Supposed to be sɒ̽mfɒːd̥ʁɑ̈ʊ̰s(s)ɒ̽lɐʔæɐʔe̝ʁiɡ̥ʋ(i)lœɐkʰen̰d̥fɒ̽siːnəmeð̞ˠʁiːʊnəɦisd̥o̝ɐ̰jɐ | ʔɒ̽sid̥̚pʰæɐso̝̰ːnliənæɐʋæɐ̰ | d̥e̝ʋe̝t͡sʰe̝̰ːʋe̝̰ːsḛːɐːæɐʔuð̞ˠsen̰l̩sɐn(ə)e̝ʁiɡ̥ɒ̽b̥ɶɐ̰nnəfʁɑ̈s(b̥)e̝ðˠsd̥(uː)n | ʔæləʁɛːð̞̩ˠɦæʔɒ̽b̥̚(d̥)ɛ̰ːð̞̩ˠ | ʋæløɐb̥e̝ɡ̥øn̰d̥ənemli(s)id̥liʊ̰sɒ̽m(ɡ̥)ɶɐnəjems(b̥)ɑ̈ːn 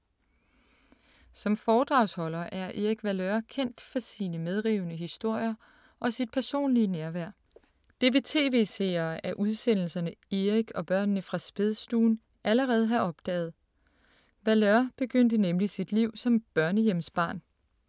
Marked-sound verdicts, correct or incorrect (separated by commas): incorrect, incorrect, correct, correct, correct, correct, correct, incorrect, correct